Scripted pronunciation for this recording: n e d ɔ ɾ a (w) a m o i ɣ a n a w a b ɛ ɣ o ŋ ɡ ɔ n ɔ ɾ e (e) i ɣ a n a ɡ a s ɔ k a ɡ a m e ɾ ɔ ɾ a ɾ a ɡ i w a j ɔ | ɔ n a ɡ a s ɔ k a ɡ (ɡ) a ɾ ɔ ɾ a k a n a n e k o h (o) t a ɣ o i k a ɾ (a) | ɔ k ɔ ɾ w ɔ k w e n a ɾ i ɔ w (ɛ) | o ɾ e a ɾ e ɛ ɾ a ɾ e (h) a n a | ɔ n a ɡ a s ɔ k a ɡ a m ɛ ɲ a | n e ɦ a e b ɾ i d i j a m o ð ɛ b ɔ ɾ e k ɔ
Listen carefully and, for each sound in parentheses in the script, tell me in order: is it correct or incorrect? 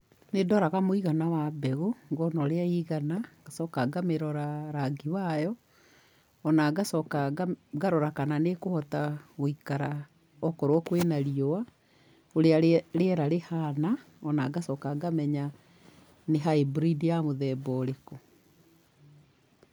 incorrect, incorrect, correct, incorrect, correct, incorrect, correct

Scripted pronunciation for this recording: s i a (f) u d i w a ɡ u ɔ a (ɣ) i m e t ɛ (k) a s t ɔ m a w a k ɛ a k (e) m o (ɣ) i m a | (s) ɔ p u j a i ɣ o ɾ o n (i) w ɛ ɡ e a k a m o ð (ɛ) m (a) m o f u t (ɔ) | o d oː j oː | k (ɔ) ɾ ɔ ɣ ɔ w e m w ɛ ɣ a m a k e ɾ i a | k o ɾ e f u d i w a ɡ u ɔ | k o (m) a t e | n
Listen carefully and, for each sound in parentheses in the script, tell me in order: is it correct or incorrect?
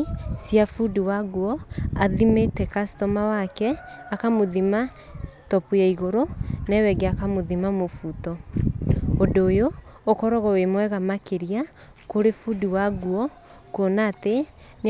correct, incorrect, correct, incorrect, incorrect, incorrect, incorrect, incorrect, correct, correct, correct, incorrect

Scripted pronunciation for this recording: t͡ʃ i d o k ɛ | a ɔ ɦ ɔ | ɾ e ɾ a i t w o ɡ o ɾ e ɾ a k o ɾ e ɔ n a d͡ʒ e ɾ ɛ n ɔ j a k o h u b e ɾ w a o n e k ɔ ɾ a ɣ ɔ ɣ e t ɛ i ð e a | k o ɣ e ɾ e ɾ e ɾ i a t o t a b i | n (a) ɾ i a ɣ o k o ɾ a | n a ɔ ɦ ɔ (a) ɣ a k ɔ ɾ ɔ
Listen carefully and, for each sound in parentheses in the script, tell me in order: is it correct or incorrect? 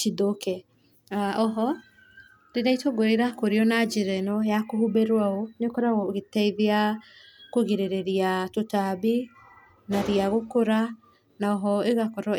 correct, incorrect

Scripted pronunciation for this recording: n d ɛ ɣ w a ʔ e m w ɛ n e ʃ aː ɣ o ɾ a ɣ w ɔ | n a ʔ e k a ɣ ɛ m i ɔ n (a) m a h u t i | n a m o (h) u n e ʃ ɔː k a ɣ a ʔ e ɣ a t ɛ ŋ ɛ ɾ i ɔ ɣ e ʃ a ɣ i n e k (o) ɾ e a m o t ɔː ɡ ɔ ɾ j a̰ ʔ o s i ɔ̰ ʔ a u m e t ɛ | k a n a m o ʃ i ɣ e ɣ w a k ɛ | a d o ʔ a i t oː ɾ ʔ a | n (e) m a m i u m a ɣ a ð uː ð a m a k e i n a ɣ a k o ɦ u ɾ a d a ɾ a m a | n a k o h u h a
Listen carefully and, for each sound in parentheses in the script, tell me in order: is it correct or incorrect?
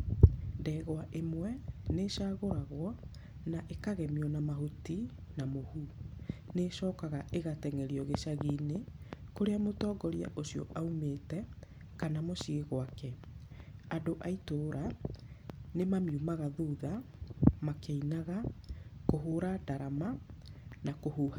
correct, correct, correct, correct

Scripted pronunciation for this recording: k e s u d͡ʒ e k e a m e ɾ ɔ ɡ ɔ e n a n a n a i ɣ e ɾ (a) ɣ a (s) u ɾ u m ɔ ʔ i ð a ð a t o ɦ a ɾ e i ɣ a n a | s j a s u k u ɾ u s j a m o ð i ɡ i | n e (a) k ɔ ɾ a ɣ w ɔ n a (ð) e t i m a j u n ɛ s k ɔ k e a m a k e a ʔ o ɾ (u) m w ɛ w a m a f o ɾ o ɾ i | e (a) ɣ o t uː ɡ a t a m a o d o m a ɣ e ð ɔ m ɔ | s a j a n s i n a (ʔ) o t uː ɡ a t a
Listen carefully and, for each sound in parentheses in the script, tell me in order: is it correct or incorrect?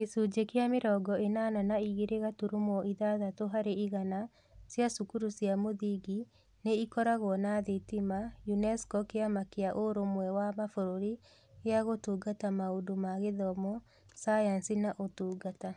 incorrect, incorrect, incorrect, correct, incorrect, correct, correct

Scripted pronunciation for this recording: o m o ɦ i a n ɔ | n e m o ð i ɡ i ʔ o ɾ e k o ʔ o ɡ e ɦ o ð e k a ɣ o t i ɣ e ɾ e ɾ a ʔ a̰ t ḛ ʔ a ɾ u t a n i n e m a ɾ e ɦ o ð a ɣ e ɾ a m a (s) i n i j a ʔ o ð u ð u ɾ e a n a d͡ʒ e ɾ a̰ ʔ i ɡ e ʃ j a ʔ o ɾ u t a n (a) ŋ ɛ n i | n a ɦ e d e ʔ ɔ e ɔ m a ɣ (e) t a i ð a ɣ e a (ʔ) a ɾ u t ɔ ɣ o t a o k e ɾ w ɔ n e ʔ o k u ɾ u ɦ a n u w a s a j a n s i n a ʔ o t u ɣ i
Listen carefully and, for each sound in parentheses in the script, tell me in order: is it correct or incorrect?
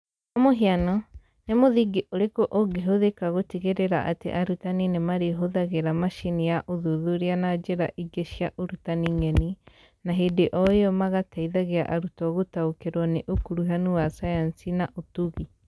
incorrect, incorrect, incorrect, correct

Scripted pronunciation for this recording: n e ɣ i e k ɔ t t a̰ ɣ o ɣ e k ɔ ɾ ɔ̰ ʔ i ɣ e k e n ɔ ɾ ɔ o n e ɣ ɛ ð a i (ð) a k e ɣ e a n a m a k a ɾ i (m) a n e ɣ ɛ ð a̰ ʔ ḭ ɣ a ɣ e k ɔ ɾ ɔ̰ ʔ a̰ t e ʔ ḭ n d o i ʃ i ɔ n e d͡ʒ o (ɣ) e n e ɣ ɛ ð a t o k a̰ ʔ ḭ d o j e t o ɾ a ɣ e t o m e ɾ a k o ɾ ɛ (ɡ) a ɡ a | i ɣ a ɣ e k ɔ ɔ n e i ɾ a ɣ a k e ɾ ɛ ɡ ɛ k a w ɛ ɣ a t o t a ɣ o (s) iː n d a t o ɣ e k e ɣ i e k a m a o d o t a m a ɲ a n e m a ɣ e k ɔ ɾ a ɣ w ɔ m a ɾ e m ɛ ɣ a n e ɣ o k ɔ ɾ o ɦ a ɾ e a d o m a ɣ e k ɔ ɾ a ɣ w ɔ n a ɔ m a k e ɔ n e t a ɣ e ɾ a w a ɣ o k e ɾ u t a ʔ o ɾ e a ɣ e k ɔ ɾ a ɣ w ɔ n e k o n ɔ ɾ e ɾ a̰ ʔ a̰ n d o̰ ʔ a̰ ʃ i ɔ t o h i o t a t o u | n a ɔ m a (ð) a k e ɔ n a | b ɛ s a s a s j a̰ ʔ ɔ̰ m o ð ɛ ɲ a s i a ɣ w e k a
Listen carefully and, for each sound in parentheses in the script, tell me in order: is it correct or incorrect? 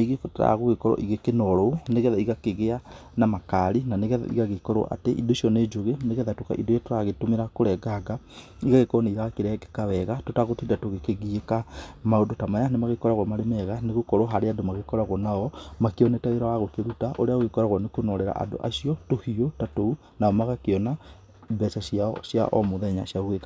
incorrect, incorrect, correct, correct, incorrect, incorrect

